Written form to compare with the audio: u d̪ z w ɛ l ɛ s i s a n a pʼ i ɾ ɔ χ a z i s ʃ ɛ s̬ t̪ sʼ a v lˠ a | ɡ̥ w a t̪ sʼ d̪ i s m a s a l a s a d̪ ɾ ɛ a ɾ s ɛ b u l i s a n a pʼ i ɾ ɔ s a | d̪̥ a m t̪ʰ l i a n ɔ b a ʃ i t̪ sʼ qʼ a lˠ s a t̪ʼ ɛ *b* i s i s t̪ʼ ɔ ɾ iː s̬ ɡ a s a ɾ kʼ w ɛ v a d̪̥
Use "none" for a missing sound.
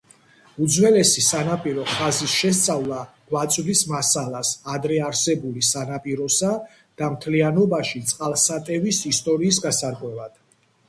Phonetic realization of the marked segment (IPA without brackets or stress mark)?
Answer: v